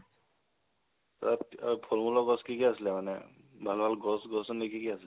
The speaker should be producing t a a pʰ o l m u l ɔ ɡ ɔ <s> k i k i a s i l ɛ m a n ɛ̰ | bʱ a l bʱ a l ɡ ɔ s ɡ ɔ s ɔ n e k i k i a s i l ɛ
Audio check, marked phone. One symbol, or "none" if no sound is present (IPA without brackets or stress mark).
s